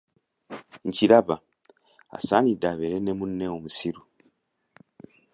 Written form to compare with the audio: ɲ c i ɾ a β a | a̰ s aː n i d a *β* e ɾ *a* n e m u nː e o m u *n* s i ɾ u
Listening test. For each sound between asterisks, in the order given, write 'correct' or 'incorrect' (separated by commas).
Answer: correct, incorrect, incorrect